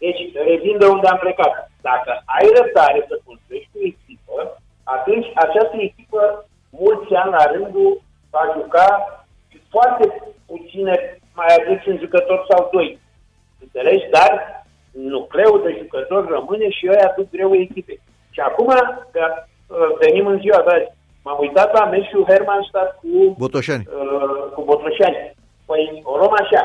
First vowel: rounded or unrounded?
unrounded